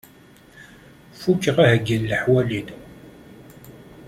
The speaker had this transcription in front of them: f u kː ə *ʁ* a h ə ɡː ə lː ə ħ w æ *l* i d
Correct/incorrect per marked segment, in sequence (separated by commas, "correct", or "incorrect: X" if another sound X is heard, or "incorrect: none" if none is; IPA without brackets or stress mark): correct, correct